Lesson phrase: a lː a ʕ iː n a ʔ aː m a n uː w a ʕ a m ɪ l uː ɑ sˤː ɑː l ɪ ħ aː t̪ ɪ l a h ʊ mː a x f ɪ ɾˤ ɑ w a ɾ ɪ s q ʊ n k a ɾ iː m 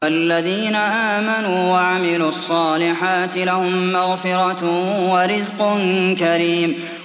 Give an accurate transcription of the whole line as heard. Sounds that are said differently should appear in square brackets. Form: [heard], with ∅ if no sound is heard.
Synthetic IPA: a lː a [ð] iː n a ʔ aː m a n uː w a ʕ a m ɪ l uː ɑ sˤː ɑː l ɪ ħ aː t̪ ɪ l a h ʊ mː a [ɣ] f ɪ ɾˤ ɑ w a ɾ ɪ [z] q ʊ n k a ɾ iː m